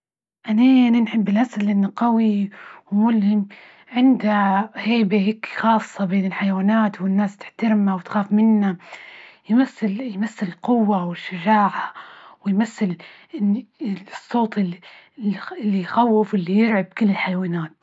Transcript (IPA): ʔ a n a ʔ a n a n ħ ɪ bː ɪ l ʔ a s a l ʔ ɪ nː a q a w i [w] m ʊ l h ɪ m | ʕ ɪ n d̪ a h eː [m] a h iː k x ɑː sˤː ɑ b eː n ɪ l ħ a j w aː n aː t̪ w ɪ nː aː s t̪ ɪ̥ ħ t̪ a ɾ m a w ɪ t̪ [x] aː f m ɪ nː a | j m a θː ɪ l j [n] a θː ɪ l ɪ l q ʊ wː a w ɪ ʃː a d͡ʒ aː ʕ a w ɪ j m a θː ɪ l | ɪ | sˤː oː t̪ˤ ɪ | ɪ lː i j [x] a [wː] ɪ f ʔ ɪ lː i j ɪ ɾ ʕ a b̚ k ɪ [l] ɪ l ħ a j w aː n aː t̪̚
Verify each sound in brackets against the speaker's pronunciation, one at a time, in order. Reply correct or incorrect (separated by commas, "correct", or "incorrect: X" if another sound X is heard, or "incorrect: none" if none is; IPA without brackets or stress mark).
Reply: correct, incorrect: b, correct, incorrect: m, correct, correct, incorrect: lː